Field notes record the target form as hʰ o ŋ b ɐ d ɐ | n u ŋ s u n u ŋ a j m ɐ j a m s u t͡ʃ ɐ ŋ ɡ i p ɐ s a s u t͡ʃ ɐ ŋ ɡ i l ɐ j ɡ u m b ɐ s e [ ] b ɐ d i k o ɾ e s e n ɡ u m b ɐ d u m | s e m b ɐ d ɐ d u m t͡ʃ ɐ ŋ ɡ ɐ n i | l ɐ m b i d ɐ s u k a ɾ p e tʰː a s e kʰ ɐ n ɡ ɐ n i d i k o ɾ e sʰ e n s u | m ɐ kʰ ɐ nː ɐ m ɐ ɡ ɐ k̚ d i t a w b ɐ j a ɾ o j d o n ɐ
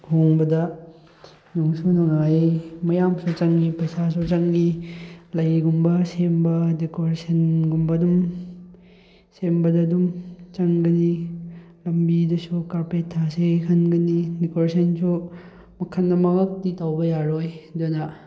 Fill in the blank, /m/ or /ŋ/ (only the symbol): m